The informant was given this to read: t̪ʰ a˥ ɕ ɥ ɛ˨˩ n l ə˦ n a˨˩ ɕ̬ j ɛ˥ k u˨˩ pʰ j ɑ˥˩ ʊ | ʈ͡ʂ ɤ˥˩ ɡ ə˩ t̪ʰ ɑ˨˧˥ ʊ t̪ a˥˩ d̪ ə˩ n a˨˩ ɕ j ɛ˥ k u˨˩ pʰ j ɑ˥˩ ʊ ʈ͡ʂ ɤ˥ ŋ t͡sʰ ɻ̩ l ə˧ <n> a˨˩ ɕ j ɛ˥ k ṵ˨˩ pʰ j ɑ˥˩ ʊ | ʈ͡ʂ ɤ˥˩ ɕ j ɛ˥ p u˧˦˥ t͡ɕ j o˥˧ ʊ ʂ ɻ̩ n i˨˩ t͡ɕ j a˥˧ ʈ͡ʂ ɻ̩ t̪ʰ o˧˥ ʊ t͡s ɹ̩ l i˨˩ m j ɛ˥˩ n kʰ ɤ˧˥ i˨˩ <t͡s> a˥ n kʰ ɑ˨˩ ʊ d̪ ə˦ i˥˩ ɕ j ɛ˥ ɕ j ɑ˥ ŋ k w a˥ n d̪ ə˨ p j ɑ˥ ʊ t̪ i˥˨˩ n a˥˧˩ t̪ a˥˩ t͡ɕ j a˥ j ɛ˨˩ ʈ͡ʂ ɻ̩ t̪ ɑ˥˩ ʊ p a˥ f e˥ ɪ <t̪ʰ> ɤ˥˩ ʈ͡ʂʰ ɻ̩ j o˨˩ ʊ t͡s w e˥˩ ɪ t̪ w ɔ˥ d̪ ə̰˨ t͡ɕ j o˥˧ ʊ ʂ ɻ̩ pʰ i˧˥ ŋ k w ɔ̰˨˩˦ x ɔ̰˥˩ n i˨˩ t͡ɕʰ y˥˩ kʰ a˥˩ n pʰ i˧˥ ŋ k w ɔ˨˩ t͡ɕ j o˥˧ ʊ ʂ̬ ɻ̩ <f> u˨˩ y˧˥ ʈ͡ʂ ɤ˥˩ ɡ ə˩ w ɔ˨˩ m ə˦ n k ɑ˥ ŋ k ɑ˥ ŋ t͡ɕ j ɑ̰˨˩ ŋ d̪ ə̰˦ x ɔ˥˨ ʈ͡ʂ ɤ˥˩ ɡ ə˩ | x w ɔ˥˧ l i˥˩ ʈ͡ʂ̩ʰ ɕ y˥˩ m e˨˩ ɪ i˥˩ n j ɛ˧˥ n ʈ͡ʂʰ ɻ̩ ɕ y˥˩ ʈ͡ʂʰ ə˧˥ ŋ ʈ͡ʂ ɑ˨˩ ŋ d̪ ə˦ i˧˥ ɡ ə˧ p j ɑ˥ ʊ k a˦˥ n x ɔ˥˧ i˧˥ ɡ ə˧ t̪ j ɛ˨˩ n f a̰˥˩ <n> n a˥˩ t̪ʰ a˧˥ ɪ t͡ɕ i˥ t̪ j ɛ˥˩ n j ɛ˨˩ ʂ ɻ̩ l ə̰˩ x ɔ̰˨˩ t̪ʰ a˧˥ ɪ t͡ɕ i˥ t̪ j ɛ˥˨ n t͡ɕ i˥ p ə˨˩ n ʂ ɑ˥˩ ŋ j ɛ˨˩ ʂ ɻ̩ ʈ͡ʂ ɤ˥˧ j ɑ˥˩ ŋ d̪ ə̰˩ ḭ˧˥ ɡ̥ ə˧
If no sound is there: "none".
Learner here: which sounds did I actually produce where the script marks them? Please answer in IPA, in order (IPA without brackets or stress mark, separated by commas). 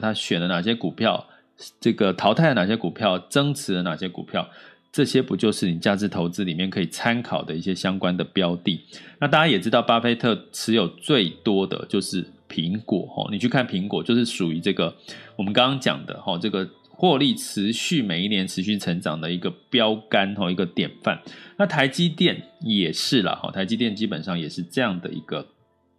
n, t͡sʰ, t̪ʰ, ʂ, n